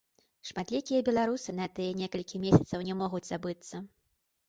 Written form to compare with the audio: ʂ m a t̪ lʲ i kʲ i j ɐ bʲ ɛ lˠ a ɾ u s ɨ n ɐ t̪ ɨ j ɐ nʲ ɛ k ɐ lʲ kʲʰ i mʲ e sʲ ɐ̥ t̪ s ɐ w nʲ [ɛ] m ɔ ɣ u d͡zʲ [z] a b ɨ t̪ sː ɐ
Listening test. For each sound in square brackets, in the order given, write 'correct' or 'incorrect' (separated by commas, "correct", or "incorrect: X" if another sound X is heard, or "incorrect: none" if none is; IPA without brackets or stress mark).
correct, correct